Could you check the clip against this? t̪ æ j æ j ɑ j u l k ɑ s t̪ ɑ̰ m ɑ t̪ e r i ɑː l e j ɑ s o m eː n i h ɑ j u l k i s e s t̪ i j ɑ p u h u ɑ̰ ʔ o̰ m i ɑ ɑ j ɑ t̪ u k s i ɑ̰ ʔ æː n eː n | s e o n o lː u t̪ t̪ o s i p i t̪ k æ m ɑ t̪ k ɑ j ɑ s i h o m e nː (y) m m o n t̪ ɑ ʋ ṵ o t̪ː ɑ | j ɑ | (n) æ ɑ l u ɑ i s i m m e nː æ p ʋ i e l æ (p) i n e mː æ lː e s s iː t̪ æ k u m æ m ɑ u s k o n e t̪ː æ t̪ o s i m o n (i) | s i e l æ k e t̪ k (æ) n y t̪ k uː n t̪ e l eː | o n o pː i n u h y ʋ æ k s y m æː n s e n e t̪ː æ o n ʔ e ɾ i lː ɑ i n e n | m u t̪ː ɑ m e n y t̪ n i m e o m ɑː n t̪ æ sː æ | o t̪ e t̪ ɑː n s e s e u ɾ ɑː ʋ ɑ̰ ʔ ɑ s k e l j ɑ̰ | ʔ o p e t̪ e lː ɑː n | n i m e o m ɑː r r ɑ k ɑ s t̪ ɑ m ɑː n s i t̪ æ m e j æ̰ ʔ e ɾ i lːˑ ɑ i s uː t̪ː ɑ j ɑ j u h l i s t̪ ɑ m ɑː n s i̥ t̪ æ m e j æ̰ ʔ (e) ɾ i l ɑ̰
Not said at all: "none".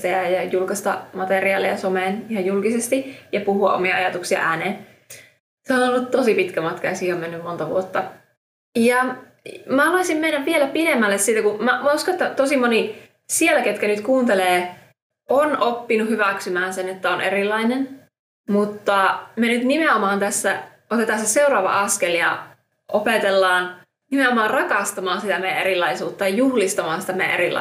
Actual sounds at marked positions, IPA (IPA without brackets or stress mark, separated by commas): y, m, p, i, æ, e